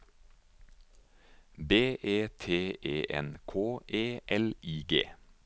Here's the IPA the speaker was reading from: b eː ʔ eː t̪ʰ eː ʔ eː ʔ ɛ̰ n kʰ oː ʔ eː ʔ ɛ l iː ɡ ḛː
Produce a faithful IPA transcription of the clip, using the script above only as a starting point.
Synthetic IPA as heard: b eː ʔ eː t̪ʰ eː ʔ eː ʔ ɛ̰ n kʰ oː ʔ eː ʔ ɛ l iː ɡ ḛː